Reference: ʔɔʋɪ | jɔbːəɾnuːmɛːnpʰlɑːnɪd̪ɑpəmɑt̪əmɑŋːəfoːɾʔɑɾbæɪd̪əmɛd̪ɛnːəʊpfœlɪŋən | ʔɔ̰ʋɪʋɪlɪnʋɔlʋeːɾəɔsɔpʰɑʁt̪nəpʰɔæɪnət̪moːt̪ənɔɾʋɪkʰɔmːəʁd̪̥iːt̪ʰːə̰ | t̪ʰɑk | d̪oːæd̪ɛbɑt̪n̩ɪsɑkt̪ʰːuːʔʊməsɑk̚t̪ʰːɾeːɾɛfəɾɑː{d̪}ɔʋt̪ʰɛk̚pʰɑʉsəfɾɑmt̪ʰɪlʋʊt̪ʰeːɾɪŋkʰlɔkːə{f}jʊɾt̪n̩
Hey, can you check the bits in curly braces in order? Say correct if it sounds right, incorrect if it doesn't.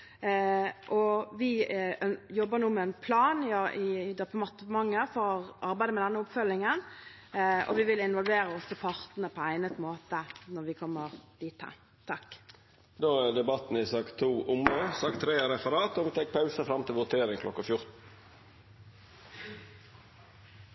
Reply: incorrect, correct

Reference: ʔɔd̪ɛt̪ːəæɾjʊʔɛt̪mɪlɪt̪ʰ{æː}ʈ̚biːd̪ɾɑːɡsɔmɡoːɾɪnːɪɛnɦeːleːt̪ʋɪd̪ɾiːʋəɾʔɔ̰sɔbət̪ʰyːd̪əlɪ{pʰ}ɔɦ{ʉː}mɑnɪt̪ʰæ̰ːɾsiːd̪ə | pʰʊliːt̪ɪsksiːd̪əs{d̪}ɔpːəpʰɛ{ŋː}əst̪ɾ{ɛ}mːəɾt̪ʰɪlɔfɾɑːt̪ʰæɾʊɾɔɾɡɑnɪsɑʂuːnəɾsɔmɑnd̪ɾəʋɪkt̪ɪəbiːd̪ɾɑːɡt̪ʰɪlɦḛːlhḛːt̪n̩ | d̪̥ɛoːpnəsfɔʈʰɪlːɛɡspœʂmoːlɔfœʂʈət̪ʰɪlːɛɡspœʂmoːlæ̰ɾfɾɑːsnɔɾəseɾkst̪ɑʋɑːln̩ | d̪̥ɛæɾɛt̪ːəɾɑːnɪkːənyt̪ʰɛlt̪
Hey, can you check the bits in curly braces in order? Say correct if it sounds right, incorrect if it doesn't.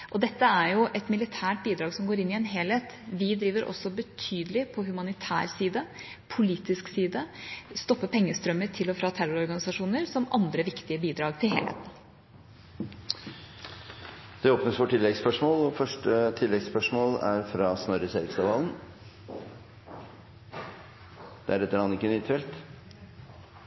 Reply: correct, correct, incorrect, incorrect, correct, incorrect

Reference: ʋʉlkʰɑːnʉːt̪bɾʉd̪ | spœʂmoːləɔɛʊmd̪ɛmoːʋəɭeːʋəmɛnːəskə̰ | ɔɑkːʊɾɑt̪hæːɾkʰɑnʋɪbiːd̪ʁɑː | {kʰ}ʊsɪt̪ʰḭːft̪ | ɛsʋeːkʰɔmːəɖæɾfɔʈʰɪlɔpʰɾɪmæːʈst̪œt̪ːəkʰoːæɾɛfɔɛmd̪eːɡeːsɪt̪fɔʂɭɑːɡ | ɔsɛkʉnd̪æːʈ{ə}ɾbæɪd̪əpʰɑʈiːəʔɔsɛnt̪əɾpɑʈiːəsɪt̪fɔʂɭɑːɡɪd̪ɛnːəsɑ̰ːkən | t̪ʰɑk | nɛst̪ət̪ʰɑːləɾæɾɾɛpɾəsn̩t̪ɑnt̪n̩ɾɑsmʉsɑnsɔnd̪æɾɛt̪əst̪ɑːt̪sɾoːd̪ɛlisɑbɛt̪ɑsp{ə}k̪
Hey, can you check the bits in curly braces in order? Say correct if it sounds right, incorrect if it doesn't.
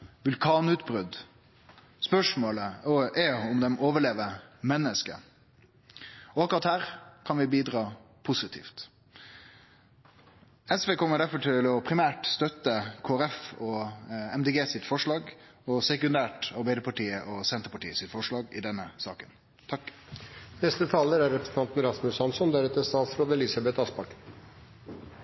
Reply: incorrect, incorrect, incorrect

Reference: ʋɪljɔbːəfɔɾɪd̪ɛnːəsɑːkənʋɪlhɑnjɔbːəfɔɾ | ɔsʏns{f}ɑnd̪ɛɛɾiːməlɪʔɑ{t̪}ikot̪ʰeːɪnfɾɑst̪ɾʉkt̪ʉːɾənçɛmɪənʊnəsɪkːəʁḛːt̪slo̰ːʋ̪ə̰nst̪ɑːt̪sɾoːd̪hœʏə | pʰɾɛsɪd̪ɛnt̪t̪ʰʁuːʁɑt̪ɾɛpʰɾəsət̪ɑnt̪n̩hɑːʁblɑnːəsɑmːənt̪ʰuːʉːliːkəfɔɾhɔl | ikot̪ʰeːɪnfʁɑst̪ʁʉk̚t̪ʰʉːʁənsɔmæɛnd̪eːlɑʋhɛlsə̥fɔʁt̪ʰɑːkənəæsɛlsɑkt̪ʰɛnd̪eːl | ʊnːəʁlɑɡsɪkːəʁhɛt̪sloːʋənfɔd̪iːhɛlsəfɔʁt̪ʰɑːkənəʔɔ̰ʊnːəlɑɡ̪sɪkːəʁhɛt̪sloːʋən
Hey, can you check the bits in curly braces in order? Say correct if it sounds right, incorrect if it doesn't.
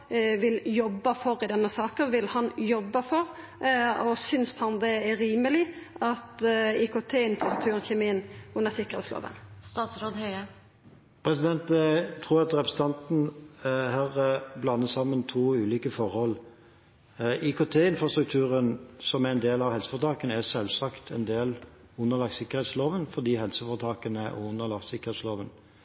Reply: incorrect, correct

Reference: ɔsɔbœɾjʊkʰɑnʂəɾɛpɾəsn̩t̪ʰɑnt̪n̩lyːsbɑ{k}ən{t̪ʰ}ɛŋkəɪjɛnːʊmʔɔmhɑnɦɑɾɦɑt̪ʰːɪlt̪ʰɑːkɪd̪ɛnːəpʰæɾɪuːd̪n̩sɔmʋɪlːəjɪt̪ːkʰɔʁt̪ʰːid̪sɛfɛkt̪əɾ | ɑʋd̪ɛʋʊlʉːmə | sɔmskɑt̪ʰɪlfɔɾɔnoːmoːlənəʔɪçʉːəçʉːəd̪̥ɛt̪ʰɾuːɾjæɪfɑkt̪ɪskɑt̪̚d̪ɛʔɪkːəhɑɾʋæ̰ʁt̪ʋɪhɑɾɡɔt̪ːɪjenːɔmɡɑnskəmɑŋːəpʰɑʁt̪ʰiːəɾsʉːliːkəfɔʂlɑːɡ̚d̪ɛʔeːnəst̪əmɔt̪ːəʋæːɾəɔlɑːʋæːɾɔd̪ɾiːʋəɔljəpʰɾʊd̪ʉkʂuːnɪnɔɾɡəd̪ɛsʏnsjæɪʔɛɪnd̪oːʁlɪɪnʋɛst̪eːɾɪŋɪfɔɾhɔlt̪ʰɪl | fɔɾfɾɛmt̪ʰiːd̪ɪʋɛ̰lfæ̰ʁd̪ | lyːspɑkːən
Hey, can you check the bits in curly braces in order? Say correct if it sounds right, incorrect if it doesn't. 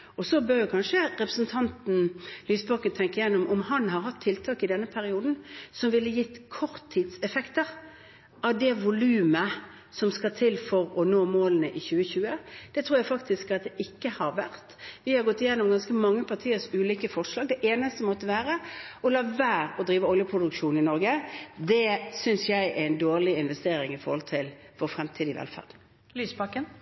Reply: correct, correct

